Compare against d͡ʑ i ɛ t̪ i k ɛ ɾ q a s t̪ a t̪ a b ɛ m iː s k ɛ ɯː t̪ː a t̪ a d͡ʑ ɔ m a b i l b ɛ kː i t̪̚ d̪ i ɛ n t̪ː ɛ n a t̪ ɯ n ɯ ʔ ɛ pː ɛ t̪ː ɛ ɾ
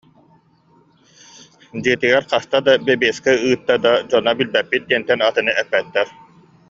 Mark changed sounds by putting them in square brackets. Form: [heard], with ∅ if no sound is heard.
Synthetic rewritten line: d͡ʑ i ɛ t̪ i [ɡ] ɛ ɾ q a s t̪ a [d̪] a b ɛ [b] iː s k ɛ ɯː t̪ː a [d̪] a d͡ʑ ɔ [n] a b i l b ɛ [pː] i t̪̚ d̪ i ɛ n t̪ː ɛ n a t̪ ɯ n ɯ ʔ ɛ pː ɛ t̪ː ɛ ɾ